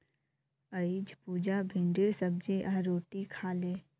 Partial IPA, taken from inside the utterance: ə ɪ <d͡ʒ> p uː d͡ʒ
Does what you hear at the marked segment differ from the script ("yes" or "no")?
no